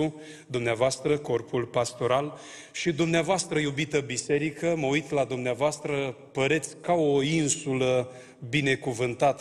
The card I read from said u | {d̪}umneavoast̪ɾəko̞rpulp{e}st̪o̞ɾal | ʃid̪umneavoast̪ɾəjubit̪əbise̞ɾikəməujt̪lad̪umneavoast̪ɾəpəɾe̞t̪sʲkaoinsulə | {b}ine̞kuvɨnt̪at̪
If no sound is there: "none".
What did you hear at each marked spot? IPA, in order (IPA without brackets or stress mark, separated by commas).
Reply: d̪, a, b